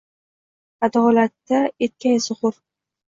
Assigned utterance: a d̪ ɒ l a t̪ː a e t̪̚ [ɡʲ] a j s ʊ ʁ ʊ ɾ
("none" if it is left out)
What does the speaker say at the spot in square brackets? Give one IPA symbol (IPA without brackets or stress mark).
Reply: kʲ